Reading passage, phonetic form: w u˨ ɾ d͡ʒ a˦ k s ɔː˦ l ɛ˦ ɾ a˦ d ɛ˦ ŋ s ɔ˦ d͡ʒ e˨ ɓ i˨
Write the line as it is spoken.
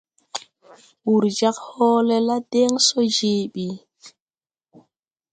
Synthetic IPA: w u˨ ɾ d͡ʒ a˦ k h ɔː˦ l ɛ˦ l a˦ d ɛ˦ ŋ s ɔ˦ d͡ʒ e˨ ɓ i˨